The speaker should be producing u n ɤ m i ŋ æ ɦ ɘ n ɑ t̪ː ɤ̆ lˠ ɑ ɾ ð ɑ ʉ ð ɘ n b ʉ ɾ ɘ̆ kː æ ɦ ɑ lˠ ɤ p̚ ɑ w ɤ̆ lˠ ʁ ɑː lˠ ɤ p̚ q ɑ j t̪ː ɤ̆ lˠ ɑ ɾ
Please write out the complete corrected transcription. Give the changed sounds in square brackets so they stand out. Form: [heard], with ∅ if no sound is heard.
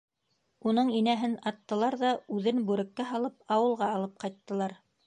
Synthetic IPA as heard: u n ɤ [ɴ] i [n] æ ɦ ɘ n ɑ t̪ː ɤ̆ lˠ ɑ ɾ ð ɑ ʉ ð ɘ n b ʉ ɾ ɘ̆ kː æ ɦ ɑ lˠ ɤ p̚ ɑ w ɤ̆ lˠ ʁ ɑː lˠ ɤ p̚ q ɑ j t̪ː ɤ̆ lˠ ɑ ɾ